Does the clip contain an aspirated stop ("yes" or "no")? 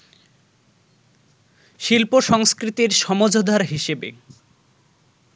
no